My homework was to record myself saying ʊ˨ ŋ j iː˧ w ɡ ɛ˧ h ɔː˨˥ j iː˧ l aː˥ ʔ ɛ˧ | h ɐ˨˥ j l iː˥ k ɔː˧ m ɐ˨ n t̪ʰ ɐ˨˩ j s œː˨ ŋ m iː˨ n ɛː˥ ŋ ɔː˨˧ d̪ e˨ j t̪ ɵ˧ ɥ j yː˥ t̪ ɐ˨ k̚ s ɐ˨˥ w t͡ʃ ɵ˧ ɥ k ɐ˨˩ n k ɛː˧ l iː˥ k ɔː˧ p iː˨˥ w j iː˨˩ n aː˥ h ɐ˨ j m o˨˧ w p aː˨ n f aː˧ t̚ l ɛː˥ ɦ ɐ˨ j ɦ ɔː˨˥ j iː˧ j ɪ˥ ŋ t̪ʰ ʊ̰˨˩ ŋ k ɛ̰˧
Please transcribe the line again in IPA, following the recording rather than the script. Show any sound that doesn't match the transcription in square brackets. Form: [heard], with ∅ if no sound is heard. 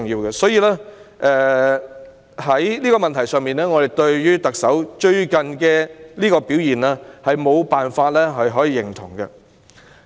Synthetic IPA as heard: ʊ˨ ŋ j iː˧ w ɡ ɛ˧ [s] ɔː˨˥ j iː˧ l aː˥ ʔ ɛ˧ | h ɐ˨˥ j l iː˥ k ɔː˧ m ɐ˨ n t̪ʰ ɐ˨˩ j s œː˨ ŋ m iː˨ n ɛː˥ ŋ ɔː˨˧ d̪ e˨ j t̪ ɵ˧ ɥ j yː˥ t̪ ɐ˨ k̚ s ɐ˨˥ w t͡ʃ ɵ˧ ɥ k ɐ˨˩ n k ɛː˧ l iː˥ k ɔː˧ p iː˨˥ w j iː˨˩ n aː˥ h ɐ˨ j m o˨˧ w p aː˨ n f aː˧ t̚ l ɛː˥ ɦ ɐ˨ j ɦ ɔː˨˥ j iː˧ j [ɪ˨˩] ŋ t̪ʰ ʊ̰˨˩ ŋ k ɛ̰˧